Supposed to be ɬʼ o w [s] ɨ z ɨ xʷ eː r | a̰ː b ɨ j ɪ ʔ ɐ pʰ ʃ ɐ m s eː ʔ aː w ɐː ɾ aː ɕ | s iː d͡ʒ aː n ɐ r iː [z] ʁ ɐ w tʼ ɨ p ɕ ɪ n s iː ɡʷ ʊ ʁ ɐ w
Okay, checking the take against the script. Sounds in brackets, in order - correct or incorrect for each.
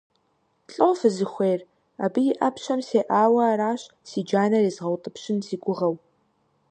incorrect: f, correct

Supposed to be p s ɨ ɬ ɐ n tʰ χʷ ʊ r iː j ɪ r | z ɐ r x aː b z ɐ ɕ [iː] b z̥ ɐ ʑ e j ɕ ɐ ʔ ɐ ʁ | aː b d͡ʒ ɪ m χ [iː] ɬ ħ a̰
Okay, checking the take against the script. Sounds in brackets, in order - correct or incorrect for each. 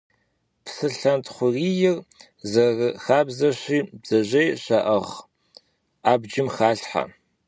correct, incorrect: aː

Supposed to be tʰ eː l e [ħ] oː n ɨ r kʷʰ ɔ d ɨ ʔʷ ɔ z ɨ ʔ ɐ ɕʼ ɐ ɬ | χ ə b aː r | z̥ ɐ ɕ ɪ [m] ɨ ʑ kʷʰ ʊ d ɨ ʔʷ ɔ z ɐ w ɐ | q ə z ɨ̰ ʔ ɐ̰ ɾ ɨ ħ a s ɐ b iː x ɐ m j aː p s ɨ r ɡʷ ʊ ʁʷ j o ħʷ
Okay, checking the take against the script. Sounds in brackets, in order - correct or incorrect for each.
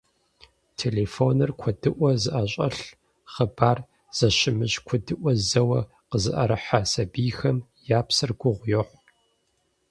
incorrect: f, correct

